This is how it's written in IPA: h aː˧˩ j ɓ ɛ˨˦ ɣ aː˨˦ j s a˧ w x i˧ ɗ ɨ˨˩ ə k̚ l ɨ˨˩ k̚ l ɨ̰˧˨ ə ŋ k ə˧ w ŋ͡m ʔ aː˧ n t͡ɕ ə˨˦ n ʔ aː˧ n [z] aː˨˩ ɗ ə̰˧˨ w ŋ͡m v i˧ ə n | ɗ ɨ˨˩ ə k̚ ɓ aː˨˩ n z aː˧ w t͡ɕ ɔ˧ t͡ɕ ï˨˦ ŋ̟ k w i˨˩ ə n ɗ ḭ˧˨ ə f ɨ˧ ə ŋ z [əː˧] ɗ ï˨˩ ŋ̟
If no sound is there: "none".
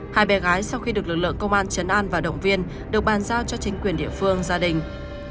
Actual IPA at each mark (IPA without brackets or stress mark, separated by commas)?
v, aː˧